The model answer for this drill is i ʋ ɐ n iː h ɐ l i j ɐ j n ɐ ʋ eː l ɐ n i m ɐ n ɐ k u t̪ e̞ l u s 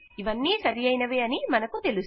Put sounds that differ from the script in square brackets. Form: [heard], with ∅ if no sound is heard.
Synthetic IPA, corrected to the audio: i ʋ ɐ [nː] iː [s] ɐ [ɾ] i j ɐ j n ɐ ʋ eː [∅] ɐ n i m ɐ n ɐ k u t̪ e̞ l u s

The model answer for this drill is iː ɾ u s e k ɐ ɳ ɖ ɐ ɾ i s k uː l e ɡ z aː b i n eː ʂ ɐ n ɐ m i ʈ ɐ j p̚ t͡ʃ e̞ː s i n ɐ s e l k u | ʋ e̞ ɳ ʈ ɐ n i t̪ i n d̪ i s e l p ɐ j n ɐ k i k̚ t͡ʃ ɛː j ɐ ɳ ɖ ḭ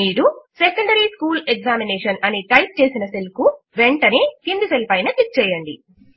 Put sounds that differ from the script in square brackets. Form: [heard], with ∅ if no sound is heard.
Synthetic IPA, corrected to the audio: iː ɾ u s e k ɐ ɳ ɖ ɐ ɾ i s k uː l e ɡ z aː [m] i n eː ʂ ɐ n ɐ [n] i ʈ ɐ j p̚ t͡ʃ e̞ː s i n ɐ s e l k u | ʋ e̞ ɳ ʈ ɐ n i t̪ i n d̪ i s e l p ɐ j n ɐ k i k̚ t͡ʃ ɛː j ɐ ɳ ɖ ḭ

